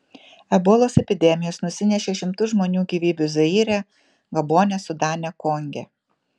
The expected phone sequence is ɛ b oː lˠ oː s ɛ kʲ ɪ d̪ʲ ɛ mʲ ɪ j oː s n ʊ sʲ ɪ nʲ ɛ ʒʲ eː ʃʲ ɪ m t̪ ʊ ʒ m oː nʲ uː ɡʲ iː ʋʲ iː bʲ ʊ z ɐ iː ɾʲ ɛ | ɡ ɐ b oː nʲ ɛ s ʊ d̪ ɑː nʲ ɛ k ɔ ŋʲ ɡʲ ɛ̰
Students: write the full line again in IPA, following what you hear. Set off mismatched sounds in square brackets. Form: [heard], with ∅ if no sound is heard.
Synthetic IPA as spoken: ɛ b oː lˠ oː s ɛ [pʲ] ɪ d̪ʲ ɛ mʲ ɪ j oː s n ʊ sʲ ɪ nʲ ɛ [ʃʲ] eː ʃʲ ɪ m t̪ ʊ ʒ m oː nʲ uː ɡʲ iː ʋʲ iː bʲ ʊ z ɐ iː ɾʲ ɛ | ɡ ɐ b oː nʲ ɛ s ʊ d̪ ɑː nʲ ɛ k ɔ ŋʲ ɡʲ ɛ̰